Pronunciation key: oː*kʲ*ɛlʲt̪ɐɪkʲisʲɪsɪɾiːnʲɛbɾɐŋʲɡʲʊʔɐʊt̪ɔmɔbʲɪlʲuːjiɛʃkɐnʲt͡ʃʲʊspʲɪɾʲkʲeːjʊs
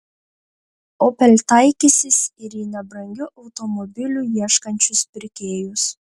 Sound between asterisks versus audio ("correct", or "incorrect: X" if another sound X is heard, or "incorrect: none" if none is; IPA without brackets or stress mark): incorrect: pʲ